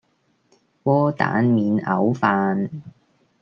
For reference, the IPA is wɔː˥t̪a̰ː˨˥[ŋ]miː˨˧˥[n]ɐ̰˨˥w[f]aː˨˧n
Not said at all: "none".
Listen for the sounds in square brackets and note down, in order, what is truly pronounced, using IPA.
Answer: n, n, f

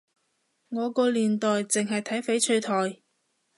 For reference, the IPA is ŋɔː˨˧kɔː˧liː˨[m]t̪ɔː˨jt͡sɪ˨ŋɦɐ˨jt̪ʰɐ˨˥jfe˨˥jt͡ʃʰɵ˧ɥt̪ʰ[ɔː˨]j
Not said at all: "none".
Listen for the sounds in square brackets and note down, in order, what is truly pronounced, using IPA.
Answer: n, ɔː˨

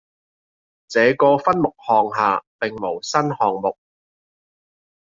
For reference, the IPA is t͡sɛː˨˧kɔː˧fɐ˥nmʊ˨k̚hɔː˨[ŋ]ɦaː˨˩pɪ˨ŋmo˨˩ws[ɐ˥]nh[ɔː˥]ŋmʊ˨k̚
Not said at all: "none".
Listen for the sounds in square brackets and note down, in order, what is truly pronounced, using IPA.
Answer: ŋ, ɐ˥, ɔː˨

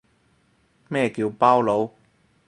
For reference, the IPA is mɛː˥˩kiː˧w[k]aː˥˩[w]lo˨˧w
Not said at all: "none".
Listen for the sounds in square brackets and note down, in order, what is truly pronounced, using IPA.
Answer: p, w

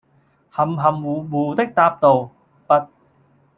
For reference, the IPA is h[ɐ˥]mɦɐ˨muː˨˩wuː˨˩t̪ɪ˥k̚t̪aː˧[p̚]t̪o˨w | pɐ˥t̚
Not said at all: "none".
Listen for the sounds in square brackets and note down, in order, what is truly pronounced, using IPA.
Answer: ɐ˨˩, p̚

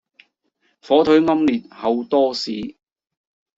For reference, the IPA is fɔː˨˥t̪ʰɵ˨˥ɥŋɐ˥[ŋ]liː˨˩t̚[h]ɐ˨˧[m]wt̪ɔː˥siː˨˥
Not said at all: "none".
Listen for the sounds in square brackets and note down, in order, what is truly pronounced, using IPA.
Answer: m, h, none

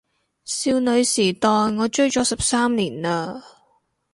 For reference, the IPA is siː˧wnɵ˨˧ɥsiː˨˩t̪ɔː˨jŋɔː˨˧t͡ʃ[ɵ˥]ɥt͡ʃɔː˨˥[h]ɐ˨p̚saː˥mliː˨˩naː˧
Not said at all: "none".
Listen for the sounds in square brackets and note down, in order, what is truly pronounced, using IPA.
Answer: ɵ˥, s

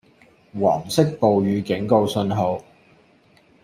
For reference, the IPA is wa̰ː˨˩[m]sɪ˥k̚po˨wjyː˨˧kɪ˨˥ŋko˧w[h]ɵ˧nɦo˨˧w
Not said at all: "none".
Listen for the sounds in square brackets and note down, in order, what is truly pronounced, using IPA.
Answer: m, s

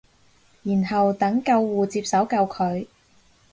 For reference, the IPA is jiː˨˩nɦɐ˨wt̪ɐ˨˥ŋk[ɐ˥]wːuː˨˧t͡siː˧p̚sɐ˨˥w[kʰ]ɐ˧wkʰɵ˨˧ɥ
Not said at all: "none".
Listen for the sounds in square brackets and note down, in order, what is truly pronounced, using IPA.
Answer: ɐ˧, k

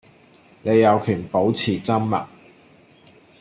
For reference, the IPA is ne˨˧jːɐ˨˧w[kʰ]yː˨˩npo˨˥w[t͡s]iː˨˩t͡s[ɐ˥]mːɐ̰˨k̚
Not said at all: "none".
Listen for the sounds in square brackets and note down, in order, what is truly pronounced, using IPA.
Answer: kʰ, t͡sʰ, ɐ˥

